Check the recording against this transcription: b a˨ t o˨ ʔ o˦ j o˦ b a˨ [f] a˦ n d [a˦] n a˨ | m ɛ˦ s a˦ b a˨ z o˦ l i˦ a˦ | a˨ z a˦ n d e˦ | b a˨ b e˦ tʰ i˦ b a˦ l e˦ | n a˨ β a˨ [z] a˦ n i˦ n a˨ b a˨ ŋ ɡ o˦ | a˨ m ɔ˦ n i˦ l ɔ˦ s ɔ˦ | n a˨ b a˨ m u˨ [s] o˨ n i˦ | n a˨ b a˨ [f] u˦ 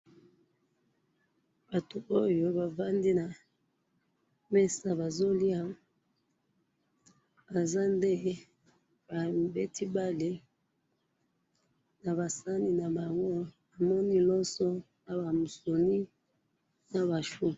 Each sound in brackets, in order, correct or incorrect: incorrect, incorrect, incorrect, correct, incorrect

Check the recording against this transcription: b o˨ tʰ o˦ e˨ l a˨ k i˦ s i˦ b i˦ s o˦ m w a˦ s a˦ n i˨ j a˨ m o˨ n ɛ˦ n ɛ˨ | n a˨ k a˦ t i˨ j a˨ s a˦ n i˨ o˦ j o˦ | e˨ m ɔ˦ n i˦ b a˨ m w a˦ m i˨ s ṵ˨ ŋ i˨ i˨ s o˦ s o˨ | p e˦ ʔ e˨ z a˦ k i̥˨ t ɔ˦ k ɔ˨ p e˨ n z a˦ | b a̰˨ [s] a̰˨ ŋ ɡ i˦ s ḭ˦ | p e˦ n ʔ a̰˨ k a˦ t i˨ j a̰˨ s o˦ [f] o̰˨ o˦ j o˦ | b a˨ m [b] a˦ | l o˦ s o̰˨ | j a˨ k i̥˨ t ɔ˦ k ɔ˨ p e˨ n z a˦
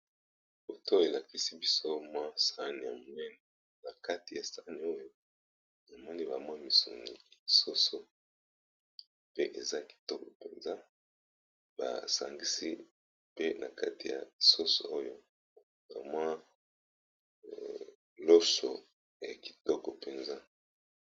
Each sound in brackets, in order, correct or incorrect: correct, incorrect, incorrect

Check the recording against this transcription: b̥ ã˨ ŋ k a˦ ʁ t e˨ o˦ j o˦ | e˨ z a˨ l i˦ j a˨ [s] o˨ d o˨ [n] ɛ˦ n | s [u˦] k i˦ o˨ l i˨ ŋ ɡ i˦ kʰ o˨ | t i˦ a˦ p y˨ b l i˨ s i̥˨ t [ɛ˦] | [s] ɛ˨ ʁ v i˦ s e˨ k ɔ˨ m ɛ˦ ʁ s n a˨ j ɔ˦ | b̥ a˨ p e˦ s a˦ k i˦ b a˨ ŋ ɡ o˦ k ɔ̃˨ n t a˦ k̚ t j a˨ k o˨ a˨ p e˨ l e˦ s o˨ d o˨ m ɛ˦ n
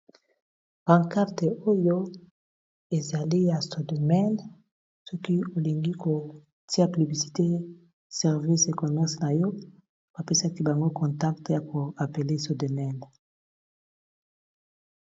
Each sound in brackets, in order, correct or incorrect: correct, incorrect, incorrect, incorrect, correct

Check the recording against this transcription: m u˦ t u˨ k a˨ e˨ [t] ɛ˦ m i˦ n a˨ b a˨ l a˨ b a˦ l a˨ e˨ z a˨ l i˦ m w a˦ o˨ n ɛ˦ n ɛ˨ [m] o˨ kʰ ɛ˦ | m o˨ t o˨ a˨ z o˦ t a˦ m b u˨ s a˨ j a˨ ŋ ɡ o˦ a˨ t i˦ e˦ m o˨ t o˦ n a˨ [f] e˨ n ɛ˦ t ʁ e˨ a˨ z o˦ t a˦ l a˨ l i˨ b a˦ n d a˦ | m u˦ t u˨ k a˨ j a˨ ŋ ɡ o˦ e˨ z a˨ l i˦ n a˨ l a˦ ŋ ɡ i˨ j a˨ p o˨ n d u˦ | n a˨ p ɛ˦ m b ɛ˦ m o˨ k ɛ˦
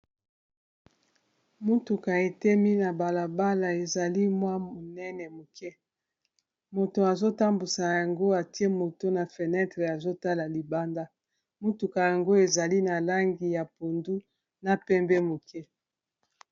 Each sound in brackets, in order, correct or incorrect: correct, correct, correct

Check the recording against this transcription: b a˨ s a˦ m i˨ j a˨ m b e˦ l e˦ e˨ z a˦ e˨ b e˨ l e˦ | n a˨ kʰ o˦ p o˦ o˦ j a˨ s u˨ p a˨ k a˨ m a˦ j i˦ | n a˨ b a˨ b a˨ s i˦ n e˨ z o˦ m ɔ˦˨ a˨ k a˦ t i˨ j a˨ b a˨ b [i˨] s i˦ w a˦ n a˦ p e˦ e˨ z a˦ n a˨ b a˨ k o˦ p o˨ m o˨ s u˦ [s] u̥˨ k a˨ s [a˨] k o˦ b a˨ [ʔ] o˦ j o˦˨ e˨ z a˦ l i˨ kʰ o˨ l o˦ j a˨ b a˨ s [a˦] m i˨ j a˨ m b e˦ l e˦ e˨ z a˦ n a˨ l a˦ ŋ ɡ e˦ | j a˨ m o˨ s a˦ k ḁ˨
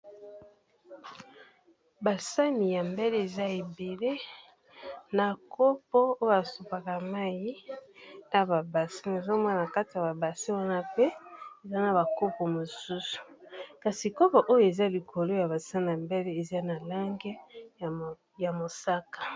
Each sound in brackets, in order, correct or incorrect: incorrect, correct, incorrect, correct, correct

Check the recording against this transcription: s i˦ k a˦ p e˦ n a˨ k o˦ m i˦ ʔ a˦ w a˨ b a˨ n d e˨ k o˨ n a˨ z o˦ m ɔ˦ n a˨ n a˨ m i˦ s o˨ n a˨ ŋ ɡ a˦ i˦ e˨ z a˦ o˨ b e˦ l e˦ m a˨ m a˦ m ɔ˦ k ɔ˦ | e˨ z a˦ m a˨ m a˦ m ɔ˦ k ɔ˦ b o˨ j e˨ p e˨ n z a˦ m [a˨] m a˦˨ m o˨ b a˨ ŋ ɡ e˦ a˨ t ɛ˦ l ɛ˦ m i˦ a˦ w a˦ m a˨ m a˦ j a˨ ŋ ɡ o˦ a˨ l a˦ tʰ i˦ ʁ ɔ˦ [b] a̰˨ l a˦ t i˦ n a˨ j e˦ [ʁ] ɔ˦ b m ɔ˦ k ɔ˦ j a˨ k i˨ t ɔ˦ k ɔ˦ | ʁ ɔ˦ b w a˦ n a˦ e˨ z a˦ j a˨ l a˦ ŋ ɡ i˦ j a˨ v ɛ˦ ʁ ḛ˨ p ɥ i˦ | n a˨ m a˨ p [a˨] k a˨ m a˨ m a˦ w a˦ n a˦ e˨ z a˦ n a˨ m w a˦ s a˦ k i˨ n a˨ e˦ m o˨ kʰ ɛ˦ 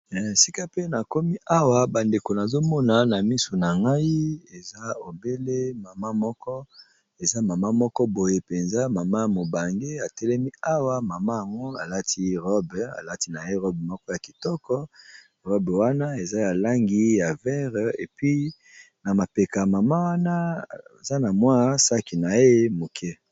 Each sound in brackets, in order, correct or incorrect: correct, correct, correct, incorrect

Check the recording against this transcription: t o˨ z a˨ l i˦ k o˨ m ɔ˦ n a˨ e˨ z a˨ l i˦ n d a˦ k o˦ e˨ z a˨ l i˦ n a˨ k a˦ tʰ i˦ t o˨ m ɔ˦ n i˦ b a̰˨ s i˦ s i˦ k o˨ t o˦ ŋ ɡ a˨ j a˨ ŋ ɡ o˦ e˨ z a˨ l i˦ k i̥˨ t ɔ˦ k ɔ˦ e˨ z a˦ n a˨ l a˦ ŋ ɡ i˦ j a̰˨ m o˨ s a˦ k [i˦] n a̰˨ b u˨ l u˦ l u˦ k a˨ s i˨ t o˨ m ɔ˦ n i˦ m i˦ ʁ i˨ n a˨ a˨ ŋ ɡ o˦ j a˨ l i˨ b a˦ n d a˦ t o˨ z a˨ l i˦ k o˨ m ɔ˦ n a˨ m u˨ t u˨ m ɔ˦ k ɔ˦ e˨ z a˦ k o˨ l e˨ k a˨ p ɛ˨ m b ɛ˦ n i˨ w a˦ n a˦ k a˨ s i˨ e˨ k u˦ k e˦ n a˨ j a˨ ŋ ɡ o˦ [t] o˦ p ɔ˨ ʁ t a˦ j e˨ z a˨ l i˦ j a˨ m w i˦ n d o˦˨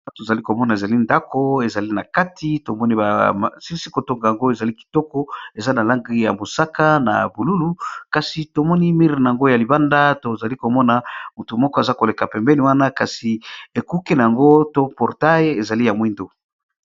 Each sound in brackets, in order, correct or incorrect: incorrect, correct

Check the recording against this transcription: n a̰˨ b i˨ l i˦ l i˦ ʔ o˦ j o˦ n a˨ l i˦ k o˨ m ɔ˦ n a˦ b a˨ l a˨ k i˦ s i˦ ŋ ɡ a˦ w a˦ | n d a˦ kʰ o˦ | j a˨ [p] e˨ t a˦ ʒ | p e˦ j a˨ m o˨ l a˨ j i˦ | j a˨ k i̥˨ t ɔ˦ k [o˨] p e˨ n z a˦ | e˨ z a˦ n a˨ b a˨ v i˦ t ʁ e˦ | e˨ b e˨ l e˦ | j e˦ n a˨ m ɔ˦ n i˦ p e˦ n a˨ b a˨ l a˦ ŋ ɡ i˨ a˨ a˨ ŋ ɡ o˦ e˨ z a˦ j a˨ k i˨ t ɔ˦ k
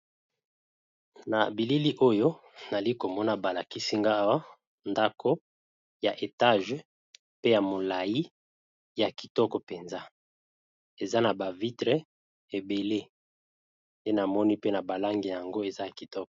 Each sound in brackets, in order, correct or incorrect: incorrect, incorrect

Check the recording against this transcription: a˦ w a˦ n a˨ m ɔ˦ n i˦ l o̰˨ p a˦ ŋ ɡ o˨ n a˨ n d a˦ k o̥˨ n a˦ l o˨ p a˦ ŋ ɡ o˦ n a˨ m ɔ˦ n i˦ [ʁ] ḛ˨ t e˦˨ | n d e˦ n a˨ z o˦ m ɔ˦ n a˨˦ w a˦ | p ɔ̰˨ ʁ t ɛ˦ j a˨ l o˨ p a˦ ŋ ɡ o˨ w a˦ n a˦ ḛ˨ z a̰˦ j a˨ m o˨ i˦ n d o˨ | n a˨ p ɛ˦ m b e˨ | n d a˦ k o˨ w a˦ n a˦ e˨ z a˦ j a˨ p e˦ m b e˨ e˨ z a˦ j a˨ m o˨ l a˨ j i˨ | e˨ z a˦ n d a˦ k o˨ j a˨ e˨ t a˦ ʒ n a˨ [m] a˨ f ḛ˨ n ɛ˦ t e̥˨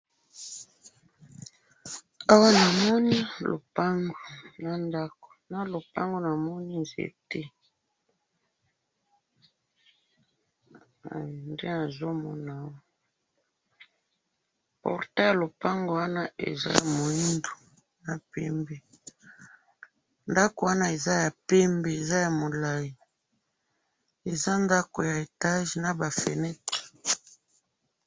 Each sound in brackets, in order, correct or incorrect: incorrect, incorrect

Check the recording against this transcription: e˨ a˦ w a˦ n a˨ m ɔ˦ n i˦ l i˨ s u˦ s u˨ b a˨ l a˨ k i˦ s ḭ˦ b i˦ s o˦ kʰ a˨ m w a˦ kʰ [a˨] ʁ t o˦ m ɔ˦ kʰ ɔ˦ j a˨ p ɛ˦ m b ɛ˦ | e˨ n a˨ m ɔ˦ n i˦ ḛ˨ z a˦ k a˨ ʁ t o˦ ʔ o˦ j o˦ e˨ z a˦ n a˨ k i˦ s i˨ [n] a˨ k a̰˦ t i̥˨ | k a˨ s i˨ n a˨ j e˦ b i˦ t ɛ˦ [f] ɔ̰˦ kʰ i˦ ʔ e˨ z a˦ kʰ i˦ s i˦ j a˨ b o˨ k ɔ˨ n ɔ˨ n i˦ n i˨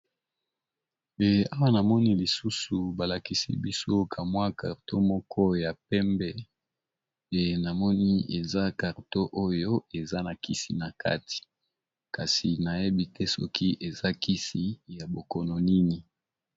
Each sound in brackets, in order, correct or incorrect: correct, correct, incorrect

